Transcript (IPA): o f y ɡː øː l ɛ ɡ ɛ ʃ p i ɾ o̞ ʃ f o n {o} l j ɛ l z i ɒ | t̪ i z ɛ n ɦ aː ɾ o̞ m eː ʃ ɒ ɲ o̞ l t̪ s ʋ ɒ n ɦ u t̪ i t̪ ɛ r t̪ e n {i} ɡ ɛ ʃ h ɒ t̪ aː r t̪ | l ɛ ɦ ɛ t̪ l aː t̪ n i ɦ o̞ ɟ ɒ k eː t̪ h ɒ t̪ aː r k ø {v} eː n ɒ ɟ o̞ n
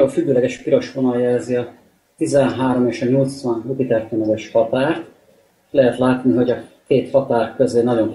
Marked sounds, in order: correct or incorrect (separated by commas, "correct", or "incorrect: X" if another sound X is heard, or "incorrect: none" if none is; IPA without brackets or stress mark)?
incorrect: ɒ, incorrect: ɛ, incorrect: z